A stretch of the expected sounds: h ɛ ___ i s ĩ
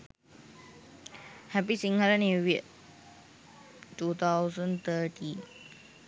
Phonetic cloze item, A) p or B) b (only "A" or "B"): A